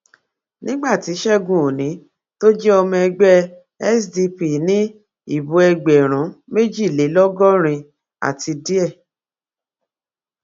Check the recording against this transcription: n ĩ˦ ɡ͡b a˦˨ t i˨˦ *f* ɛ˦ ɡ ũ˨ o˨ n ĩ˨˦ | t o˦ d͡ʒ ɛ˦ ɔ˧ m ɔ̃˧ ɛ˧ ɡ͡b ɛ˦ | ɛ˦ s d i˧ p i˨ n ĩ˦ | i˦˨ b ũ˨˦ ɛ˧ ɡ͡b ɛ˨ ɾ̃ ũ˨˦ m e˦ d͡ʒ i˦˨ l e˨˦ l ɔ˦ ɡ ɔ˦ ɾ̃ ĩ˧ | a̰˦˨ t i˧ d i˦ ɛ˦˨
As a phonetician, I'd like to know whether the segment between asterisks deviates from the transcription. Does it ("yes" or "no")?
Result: yes